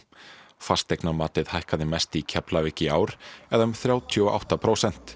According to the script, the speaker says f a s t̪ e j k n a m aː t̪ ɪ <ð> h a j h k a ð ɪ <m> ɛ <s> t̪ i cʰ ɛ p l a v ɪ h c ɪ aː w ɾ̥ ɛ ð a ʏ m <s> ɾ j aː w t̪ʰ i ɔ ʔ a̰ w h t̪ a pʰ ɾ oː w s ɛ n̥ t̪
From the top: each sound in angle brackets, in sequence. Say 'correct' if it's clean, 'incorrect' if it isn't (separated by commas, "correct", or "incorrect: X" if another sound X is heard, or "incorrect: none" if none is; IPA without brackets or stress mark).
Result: correct, correct, correct, incorrect: θ